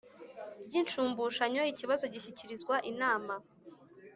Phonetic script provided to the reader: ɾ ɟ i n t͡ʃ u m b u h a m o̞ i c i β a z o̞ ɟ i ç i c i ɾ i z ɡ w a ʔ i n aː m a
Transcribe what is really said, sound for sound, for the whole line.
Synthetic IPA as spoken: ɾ ɟ i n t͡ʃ uː m b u ʃ a ɲ o̞ i c i β a z o̞ ɟ i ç i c i ɾ i z ɡ w a ʔ i n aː m a